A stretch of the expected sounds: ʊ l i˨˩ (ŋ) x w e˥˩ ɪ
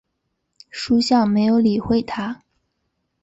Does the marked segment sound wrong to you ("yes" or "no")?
yes